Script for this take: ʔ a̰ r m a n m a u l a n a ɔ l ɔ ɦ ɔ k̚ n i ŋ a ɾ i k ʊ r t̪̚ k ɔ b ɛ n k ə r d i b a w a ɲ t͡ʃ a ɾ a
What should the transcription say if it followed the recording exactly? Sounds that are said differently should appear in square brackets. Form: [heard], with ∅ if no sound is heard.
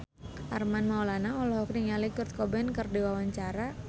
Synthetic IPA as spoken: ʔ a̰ r m a n m a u l a n a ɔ l ɔ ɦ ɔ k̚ n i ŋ a [l] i k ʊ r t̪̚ k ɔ b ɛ n k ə r d i [w] a w a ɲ t͡ʃ a ɾ a